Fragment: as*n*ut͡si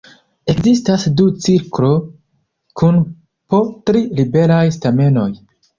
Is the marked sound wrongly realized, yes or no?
yes